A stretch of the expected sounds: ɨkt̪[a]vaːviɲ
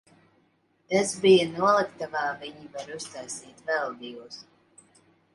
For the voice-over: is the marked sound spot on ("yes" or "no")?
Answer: yes